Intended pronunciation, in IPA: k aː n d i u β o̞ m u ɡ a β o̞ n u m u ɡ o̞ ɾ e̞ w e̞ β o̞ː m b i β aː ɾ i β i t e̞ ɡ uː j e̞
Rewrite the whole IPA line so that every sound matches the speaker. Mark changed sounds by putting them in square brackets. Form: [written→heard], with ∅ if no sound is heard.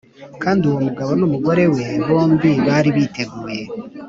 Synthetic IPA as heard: k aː n d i u [β→w] o̞ m u ɡ a β o̞ n u m u ɡ o̞ ɾ e̞ w e̞ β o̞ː m b i β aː ɾ i β i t e̞ ɡ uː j e̞

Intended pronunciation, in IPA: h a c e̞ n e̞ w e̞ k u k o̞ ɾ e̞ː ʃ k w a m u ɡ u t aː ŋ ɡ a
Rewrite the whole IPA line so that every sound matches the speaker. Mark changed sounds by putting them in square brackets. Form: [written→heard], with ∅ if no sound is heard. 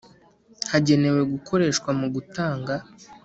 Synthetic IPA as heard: h a [c→ɟ] e̞ n e̞ w e̞ [k→ɡ] u k o̞ ɾ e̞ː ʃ k w a m u ɡ u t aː ŋ ɡ a

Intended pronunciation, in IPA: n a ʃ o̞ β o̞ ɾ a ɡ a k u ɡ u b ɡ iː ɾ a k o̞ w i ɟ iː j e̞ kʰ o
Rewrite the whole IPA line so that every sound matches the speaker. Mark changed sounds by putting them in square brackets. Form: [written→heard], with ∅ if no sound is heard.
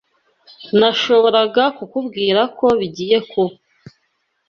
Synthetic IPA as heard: n a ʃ o̞ β o̞ ɾ a ɡ a k u [ɡ→k] u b ɡ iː ɾ a k o̞ [w→β] i ɟ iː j e̞ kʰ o

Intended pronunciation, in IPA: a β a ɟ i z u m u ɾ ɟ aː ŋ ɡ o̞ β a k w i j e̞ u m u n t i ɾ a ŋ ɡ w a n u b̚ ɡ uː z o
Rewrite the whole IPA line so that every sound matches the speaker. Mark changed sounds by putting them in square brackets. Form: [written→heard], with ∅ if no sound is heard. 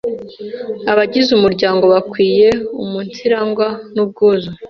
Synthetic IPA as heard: a β a ɟ i z u m u ɾ ɟ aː ŋ ɡ o̞ β a k w [i→iː] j e̞ u m u n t i ɾ a ŋ ɡ w a n u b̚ ɡ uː z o

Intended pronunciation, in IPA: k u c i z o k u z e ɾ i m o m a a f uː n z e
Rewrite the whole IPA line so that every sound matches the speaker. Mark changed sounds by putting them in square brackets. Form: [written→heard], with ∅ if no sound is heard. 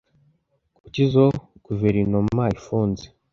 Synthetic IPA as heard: k u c i z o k u [z→v] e ɾ i [m→n] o m a [a→i] f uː n z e

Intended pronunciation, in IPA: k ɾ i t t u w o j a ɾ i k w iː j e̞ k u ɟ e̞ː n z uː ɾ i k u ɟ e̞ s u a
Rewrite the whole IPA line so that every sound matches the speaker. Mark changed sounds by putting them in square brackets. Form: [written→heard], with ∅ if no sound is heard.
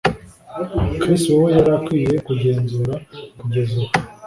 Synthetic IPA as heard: k ɾ i [t→s] t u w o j a ɾ [i→a] k w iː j e̞ k u ɟ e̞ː n z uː ɾ [i→a] k u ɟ e̞ [s→z] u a

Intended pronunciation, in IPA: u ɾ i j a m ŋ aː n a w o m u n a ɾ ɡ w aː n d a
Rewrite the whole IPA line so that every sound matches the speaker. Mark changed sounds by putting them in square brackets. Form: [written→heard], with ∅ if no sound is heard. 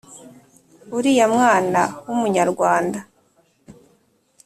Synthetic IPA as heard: u ɾ i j a m ŋ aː n a w [o→u] m u [n→ɲ] a ɾ ɡ w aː n d a

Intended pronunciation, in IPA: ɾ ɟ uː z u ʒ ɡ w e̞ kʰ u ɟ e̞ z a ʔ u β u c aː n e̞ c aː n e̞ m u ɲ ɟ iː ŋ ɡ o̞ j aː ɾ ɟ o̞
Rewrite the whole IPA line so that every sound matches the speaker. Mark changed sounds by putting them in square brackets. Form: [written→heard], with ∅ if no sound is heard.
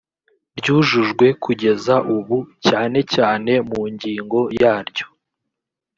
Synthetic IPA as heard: ɾ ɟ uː [z→ʒ] u ʒ ɡ w e̞ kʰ u ɟ e̞ z a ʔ u β u c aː n e̞ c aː n e̞ m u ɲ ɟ iː ŋ ɡ o̞ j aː ɾ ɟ o̞

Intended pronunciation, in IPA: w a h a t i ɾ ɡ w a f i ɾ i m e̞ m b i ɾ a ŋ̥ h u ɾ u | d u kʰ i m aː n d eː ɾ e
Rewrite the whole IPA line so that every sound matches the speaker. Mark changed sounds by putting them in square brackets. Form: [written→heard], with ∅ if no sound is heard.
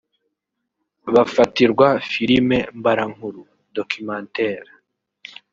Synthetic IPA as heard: [w→β] a [h→f] a t i ɾ ɡ w a f i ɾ i m e̞ m b [i→a] ɾ a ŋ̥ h u ɾ u | d [u→o] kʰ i m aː n [d→t] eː ɾ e

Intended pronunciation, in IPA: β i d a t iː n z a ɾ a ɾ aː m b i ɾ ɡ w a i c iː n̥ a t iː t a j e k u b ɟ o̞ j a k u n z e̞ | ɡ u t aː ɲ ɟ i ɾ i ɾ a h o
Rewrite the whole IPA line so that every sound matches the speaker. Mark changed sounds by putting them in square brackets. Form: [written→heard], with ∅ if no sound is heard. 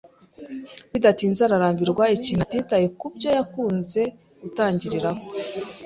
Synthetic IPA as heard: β i d a t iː n z a ɾ a ɾ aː m b i ɾ ɡ w a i c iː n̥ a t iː t a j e k u b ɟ o̞ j a k [u→uː] n z e̞ | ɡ u t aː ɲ ɟ i ɾ i ɾ a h o

